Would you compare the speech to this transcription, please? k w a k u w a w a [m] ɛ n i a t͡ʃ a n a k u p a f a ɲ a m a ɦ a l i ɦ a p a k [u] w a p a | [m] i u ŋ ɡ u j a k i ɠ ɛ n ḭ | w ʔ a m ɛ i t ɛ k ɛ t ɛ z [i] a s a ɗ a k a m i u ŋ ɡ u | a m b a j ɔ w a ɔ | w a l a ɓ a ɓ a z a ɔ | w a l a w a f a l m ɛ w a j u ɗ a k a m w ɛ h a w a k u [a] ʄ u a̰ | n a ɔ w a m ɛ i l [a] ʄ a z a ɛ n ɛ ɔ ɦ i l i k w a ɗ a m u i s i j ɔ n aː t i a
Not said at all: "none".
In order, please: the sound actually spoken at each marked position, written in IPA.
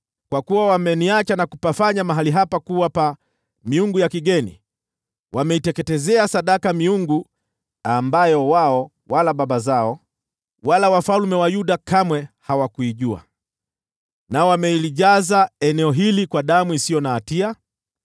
m, u, m, ɛ, i, i

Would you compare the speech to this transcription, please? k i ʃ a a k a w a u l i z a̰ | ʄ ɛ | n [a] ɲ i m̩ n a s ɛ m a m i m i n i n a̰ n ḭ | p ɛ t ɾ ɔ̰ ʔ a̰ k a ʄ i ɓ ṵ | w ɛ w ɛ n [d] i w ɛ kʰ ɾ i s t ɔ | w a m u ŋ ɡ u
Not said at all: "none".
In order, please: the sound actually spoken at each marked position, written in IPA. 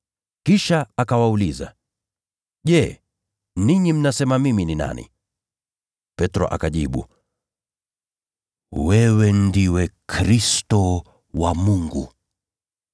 i, d

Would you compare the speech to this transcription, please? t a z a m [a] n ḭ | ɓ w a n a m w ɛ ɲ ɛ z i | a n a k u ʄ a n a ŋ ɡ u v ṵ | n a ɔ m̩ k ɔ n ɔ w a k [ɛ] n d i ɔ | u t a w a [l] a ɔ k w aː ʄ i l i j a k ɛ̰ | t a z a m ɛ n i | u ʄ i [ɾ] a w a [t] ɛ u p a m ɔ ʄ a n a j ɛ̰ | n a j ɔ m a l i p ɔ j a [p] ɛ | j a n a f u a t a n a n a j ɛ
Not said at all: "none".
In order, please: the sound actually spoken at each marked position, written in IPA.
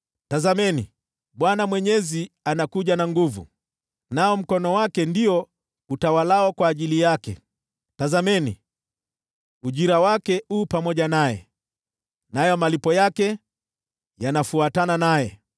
ɛ, ɛ, l, ɾ, k, k

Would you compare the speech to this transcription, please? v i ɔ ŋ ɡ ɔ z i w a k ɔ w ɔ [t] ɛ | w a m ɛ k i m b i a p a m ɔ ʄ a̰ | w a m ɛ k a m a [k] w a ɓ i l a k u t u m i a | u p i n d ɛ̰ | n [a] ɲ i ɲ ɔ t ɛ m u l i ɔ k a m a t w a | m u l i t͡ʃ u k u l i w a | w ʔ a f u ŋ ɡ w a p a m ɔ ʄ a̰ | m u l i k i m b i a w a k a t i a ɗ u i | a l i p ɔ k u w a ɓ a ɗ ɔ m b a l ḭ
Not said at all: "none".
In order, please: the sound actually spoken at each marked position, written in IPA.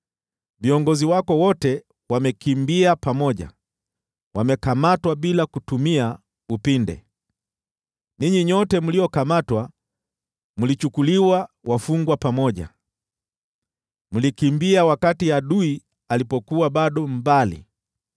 t, t, i

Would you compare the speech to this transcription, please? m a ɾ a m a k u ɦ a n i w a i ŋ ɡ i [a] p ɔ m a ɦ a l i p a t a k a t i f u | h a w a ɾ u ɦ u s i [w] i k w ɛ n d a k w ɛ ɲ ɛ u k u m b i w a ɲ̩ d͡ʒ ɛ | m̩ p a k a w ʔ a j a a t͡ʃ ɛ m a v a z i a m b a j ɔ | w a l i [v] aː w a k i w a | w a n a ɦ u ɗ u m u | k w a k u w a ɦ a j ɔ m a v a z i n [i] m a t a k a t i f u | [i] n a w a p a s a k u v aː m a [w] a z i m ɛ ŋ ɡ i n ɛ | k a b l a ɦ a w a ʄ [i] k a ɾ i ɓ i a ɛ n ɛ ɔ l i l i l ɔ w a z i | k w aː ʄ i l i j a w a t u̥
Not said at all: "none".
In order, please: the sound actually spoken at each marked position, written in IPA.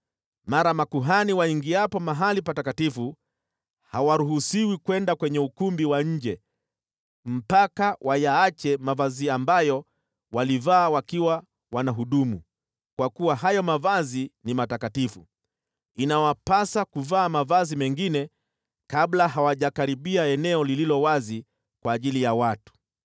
a, w, v, i, i, v, a

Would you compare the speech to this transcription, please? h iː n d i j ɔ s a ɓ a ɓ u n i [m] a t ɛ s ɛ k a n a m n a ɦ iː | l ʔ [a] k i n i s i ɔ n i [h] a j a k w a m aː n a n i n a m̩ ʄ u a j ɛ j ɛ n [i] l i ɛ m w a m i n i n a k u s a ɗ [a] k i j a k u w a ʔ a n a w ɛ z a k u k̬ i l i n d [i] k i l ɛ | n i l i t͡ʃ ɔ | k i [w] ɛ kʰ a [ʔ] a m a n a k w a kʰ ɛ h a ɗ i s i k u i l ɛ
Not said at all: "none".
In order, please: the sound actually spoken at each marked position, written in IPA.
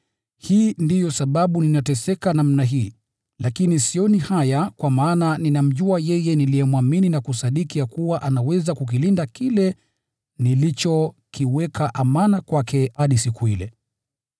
n, a, h, i, i, a, w, ʔ

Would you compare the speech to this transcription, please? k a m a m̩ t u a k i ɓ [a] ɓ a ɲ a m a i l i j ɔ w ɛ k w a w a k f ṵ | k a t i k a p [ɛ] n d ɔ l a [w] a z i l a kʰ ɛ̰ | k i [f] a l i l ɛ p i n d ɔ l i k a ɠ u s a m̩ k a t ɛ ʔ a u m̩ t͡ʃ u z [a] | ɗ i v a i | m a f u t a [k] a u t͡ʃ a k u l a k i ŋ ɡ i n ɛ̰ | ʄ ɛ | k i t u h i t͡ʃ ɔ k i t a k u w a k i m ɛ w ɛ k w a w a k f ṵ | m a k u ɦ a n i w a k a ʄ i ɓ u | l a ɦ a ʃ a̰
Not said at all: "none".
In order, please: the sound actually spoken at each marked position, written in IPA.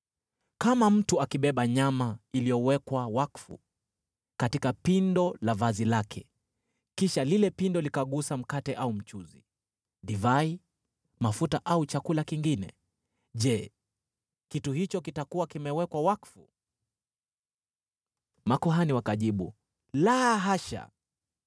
ɛ, i, v, ʃ, i, ʔ

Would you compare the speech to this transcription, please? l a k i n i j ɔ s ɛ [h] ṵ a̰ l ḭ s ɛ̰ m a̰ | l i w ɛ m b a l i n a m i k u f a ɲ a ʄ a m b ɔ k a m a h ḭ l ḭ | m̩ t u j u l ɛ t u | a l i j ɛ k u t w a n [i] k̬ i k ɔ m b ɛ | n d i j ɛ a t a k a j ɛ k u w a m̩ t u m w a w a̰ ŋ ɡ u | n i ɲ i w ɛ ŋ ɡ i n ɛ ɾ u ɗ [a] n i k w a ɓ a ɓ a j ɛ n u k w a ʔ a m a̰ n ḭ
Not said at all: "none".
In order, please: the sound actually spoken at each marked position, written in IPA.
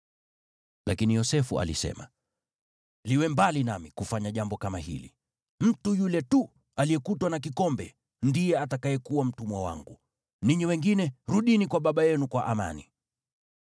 f, a, i

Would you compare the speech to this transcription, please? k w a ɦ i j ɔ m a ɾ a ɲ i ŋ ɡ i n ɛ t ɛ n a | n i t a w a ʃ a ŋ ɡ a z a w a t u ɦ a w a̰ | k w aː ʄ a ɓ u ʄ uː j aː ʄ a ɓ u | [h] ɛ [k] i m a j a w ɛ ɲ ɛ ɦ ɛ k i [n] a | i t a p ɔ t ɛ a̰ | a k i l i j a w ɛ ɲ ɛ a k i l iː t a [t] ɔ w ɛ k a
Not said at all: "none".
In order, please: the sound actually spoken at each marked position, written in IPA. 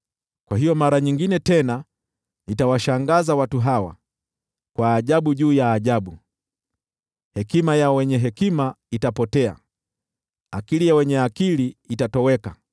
h, k, m, t

